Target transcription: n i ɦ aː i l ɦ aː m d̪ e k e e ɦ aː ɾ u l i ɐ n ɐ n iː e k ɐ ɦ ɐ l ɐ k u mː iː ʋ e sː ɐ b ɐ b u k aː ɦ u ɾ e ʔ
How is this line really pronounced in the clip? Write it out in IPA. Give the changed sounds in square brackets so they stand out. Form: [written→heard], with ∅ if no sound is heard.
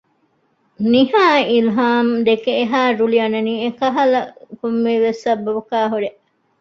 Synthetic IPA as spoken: n i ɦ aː i l ɦ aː m d̪ e k e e ɦ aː ɾ u l i ɐ n ɐ n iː e k ɐ ɦ ɐ l ɐ k u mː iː ʋ e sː ɐ b ɐ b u k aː ɦ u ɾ e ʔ